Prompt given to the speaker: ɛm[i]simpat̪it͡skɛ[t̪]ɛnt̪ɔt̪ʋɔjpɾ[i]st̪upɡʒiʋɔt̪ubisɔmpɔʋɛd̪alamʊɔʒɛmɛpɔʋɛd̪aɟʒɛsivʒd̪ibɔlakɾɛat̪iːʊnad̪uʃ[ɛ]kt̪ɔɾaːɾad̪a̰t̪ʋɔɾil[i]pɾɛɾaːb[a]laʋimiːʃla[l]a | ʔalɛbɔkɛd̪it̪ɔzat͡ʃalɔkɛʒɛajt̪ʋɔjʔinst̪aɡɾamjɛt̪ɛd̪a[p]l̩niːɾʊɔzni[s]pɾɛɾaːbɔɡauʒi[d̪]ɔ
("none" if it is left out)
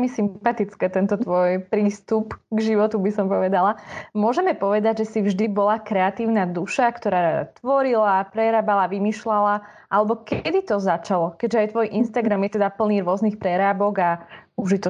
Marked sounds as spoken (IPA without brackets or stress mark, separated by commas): i, t̪, iː, a, a, a, l, p, x, t̪